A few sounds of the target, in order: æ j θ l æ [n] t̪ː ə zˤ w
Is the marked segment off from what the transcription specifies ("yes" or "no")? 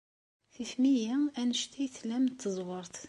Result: yes